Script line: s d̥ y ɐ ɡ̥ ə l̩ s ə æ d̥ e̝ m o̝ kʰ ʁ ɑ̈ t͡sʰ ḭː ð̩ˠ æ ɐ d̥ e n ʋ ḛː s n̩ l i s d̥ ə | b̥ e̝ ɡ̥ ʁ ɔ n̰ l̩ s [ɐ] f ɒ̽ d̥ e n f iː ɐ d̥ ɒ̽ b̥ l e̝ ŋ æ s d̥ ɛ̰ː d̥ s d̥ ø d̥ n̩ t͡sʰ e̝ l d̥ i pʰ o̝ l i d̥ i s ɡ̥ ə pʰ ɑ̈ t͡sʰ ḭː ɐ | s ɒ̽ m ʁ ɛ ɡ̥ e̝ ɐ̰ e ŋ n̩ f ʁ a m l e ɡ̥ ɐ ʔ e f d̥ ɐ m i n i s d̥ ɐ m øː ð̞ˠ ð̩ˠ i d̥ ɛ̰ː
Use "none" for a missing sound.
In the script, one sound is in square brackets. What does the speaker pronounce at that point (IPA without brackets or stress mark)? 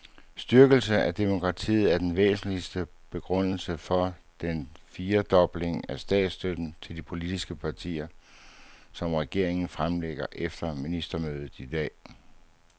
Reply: ə